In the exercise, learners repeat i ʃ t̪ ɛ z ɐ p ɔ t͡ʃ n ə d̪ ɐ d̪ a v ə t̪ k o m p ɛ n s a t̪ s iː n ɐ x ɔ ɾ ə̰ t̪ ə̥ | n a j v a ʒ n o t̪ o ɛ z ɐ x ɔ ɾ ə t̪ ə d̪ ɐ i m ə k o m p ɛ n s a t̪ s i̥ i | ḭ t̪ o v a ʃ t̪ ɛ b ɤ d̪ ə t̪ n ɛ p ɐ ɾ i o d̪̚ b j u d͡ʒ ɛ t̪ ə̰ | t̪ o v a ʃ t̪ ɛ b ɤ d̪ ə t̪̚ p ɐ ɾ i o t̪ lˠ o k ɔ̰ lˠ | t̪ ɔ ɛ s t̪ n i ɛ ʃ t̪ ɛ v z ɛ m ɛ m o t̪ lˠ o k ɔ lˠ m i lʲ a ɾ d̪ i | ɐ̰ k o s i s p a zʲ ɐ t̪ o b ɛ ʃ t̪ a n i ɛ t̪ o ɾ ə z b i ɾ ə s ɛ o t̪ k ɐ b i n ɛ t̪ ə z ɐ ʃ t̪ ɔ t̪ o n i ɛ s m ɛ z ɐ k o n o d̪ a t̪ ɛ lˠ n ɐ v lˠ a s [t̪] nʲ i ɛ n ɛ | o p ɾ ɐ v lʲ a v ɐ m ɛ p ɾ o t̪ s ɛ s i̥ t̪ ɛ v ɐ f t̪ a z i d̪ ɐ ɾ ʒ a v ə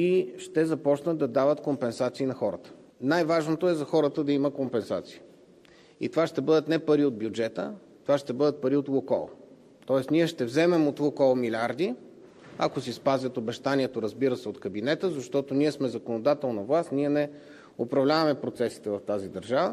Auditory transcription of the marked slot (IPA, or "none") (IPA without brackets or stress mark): t̪